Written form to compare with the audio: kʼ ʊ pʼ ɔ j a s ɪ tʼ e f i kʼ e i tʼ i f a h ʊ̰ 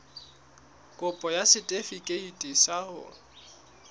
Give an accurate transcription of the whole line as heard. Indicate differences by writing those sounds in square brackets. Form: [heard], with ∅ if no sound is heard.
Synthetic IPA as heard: kʼ ʊ pʼ ɔ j a s ɪ tʼ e f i kʼ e i tʼ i [s] a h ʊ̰